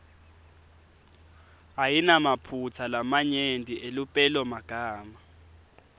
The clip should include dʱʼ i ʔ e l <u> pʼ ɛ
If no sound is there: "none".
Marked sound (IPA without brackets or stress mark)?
u